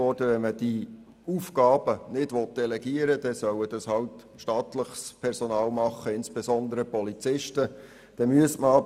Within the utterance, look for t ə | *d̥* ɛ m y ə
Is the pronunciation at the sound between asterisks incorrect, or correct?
correct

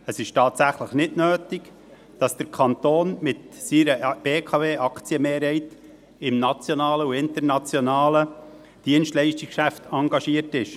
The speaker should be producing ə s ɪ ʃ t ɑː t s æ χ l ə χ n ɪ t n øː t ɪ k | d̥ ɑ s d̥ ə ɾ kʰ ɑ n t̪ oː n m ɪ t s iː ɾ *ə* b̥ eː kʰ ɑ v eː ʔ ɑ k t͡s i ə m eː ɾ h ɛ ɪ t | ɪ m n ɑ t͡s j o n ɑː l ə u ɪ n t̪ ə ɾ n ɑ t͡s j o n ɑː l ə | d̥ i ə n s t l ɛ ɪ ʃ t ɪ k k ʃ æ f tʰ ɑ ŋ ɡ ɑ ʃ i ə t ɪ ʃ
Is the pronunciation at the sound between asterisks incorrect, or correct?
correct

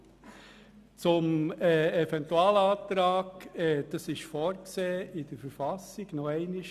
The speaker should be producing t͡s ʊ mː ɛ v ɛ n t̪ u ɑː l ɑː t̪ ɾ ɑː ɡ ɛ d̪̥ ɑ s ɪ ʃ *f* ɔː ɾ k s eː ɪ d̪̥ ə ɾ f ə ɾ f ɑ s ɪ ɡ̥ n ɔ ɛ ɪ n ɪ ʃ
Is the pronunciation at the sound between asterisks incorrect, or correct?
correct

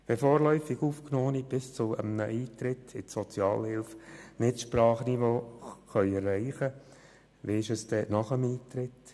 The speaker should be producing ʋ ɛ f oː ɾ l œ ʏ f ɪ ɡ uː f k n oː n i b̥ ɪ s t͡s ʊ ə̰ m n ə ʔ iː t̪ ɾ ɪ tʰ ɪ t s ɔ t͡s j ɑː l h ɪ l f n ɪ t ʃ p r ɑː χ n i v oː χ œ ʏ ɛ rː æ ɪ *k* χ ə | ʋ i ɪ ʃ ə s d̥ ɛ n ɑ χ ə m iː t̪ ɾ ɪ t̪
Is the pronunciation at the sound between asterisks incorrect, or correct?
incorrect: none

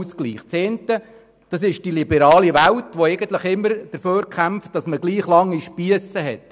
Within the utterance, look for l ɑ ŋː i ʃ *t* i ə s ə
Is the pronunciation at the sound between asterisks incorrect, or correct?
incorrect: p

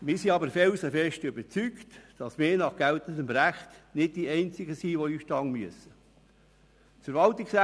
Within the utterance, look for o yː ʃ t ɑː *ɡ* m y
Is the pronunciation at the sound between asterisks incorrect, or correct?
incorrect: ŋ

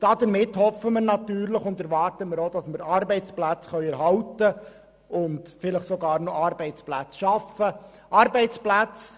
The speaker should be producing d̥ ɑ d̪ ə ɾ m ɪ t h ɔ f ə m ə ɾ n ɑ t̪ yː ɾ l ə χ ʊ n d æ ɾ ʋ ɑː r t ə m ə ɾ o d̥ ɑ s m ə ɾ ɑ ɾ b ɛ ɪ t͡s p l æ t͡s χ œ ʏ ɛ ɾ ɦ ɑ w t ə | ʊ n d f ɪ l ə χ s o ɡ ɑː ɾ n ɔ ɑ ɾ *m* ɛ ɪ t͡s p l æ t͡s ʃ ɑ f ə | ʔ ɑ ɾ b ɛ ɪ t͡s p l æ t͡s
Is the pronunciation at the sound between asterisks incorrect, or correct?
incorrect: b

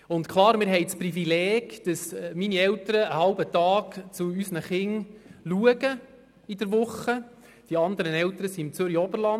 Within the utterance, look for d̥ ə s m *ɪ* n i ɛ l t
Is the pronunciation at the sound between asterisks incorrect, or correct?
incorrect: i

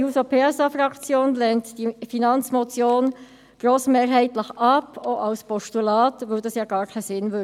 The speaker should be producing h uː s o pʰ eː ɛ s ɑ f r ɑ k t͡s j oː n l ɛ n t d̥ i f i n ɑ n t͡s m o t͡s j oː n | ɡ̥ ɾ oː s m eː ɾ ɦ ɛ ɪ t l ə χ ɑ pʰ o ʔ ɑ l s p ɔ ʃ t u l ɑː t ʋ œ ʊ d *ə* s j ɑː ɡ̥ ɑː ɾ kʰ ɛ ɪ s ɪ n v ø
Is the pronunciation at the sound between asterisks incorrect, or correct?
incorrect: ɑ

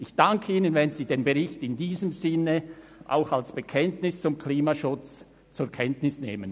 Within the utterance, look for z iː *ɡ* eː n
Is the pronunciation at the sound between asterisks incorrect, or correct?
incorrect: d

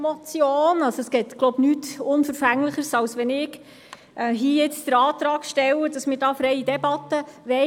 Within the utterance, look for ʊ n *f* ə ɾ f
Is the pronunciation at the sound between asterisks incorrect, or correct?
correct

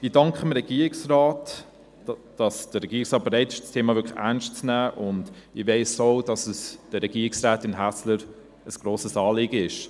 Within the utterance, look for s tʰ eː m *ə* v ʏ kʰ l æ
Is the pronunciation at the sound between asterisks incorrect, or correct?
incorrect: ɑ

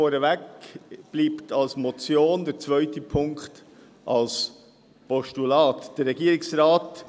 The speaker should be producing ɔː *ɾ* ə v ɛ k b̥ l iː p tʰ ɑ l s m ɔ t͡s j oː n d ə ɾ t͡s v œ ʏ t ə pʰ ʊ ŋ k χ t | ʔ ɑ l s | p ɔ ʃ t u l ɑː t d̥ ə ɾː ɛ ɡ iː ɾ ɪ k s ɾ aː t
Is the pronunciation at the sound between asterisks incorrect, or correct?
correct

